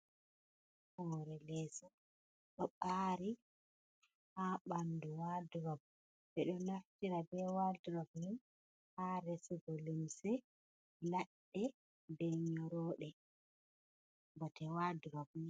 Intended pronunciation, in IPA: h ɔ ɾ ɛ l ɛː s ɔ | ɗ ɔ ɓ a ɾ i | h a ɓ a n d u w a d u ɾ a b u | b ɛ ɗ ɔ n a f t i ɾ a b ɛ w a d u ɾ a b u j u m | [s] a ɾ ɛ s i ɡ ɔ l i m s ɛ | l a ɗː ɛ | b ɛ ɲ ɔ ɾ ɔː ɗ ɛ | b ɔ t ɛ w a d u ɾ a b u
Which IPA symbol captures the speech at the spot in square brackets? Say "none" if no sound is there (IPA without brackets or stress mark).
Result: h